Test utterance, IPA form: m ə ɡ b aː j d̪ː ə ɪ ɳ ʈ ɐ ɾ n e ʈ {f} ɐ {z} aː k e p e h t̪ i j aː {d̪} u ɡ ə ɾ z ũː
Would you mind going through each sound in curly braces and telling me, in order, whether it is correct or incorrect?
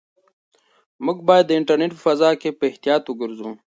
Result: correct, correct, incorrect

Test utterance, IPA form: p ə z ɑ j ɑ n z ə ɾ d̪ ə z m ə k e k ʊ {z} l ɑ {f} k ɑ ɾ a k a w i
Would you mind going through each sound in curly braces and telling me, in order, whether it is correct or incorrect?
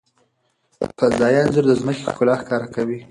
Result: incorrect, incorrect

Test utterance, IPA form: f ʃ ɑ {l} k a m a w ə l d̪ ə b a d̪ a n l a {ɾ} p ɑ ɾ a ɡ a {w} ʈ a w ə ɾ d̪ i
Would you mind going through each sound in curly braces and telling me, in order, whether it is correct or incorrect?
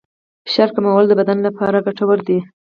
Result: incorrect, incorrect, incorrect

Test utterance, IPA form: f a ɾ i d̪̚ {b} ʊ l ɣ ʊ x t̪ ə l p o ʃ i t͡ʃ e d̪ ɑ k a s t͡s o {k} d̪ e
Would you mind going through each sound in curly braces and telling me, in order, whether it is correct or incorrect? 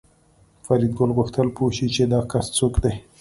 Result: incorrect, correct

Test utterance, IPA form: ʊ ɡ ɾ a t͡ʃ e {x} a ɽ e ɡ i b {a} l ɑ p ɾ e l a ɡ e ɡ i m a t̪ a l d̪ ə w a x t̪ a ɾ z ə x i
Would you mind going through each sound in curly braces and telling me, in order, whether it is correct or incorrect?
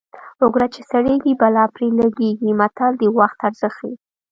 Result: incorrect, correct

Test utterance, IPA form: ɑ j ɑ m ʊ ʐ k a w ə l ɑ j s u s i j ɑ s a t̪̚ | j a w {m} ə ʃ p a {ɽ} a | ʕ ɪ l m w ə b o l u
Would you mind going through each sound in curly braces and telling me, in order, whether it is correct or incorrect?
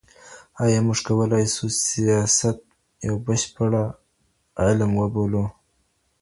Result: incorrect, correct

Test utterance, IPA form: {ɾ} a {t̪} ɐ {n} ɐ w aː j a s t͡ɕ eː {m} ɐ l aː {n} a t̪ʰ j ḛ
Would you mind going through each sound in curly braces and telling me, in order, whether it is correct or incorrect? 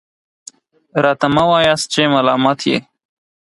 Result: correct, correct, incorrect, correct, incorrect

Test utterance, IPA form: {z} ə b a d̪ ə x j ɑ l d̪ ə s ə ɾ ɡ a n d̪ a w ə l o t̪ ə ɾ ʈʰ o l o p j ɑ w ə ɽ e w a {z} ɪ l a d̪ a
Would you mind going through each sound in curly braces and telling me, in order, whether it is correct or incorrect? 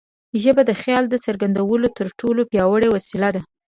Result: incorrect, incorrect

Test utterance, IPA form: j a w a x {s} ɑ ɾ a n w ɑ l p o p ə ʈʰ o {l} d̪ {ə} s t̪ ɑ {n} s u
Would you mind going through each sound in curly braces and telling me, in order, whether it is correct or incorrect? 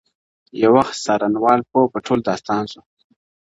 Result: correct, correct, incorrect, correct

